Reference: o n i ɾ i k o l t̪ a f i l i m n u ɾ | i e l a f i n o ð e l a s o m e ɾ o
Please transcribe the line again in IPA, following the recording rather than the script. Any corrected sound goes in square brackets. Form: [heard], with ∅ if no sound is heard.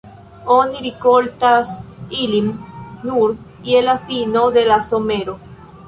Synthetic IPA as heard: o n i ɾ i k o l t̪ a [s] i l i m n u ɾ | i e l a f i n o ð e l a s o m e ɾ o